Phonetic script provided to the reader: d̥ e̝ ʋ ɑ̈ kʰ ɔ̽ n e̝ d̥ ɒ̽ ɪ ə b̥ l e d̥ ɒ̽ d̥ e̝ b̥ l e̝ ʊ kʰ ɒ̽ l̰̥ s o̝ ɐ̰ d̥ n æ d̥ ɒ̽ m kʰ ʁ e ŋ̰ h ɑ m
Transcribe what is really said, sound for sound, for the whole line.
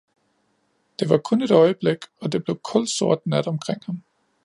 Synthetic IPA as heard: d̥ e̝ ʋ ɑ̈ kʰ ɔ̽ n e̝ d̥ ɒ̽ ɪ ə b̥ l e ɡ̥ ɒ̽ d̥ e̝ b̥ l e̝ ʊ kʰ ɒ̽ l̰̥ s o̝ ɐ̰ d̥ n æ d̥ ɒ̽ m kʰ ʁ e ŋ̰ h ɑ m